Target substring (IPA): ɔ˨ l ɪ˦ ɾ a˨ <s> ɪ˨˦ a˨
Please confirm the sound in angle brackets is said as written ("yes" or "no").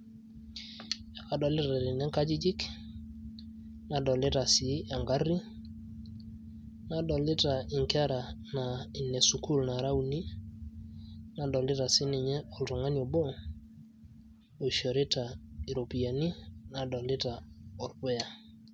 yes